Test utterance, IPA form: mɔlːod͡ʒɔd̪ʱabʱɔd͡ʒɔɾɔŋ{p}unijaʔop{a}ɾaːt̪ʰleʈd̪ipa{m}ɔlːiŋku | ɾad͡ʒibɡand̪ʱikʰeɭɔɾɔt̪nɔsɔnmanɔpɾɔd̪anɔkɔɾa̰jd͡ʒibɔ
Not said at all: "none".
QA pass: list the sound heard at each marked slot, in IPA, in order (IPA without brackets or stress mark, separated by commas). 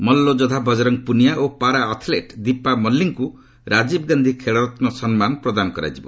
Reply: p, a, m